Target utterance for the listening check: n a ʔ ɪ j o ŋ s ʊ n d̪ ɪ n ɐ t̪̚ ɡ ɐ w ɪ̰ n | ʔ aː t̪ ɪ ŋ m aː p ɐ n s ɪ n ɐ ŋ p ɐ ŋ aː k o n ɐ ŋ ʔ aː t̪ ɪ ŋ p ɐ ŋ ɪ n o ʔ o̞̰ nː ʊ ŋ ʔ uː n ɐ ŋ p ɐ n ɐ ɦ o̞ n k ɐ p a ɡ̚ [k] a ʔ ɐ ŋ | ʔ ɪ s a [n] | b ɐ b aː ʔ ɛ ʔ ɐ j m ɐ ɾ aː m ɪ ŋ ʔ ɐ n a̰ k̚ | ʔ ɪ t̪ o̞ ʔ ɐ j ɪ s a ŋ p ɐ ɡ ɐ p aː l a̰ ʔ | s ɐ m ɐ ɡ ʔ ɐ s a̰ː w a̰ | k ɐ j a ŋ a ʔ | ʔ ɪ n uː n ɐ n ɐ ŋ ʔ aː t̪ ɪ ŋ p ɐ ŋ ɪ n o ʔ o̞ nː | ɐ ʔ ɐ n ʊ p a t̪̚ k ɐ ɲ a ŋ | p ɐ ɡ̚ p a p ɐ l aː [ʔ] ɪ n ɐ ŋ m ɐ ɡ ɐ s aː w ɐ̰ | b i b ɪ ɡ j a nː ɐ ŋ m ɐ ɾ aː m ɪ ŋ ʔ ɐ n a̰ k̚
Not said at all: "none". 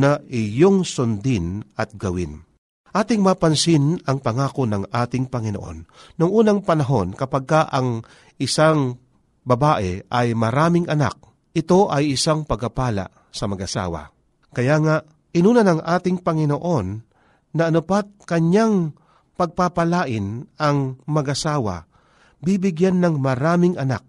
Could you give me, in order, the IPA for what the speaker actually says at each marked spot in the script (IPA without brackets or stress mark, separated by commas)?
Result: k, ŋ, ʔ